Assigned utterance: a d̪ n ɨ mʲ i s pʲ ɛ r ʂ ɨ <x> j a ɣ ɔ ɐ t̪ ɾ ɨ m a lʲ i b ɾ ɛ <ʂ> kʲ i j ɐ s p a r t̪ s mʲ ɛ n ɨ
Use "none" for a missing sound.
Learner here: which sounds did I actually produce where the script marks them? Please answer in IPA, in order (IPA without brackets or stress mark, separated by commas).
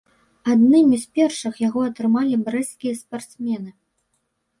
x, s